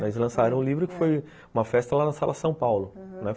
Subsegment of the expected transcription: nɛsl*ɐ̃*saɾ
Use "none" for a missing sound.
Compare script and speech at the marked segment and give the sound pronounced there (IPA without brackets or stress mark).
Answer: ɐ̃